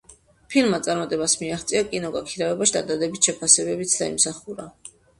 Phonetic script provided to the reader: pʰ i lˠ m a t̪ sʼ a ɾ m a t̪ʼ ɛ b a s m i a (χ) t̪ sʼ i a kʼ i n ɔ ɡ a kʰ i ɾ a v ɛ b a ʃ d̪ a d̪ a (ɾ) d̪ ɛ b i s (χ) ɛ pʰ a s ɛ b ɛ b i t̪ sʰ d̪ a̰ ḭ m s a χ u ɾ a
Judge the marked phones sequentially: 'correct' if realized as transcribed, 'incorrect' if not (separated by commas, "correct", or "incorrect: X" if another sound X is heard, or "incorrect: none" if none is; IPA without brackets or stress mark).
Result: correct, incorrect: none, incorrect: ʃ